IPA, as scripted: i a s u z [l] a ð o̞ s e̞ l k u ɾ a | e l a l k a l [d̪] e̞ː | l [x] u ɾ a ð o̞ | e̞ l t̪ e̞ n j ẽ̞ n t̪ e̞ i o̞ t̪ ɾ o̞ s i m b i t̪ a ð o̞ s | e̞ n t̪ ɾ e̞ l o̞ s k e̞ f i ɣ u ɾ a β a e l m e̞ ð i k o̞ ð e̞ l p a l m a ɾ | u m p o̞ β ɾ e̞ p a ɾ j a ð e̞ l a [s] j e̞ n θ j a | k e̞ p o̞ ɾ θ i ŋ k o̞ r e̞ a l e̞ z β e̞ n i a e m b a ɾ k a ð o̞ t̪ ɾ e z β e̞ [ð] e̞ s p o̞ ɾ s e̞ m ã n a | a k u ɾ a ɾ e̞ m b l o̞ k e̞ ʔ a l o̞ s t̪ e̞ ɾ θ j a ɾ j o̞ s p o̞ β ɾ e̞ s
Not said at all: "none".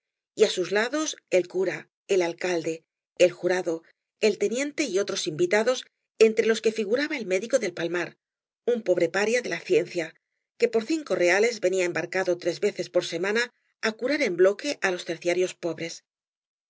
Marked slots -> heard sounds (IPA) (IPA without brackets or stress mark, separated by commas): l, d̪, x, θ, θ